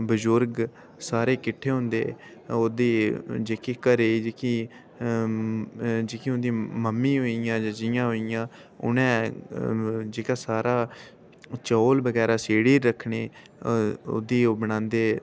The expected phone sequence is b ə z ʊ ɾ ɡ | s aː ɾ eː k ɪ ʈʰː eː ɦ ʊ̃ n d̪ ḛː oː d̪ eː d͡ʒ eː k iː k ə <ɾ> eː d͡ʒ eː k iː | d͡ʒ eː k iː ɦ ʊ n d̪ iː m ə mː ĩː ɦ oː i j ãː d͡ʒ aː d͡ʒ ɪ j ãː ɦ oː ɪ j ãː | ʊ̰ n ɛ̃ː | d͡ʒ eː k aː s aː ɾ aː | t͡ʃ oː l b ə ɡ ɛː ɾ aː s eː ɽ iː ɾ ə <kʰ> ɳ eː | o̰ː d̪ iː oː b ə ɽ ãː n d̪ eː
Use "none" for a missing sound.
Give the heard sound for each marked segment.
ɾ, kʰ

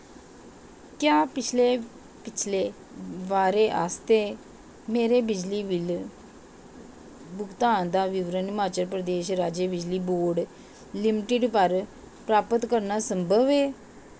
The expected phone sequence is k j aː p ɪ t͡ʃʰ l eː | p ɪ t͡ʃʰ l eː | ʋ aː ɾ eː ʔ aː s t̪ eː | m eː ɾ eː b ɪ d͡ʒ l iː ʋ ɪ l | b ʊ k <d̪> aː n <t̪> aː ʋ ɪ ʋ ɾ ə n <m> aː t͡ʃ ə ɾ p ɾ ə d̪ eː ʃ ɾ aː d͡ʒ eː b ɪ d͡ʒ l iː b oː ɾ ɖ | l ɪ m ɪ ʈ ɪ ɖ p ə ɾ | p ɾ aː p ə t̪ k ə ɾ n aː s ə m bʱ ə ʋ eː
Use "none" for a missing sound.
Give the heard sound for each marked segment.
t̪, d̪, m

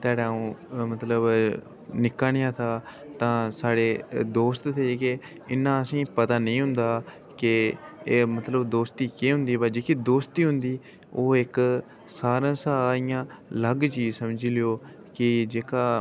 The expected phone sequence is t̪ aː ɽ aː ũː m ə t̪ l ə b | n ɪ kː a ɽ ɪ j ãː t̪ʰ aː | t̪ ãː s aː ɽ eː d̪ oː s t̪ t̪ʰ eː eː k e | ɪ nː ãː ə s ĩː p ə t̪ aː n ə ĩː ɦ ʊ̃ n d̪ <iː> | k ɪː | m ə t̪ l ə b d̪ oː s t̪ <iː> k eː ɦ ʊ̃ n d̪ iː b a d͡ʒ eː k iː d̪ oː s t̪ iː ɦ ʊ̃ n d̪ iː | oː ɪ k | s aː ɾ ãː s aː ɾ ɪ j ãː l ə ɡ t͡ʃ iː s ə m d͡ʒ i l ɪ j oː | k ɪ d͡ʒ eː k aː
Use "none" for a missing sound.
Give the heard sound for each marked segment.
aː, iː

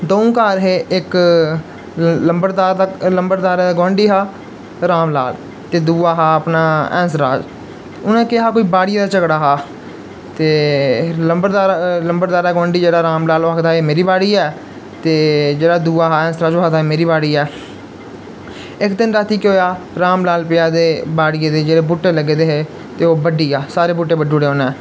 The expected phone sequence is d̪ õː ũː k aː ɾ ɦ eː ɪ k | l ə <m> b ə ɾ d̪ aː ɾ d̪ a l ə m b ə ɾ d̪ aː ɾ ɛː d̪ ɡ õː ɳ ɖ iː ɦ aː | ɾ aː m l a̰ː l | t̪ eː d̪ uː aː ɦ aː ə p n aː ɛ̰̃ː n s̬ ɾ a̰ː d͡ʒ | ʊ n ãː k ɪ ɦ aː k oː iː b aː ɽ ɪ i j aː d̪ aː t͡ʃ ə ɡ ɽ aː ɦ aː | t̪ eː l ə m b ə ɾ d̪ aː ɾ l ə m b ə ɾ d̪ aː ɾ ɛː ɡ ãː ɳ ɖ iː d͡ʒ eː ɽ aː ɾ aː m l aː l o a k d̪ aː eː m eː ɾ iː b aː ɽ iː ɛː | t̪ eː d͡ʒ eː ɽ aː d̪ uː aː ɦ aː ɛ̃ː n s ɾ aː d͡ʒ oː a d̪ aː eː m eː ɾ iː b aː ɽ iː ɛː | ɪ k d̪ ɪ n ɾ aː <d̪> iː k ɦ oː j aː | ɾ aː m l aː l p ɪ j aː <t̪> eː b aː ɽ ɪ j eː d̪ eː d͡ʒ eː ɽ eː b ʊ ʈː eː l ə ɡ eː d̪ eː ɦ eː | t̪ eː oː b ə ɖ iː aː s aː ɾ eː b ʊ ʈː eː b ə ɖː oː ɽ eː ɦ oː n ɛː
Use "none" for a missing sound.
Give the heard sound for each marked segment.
m, t̪, d̪

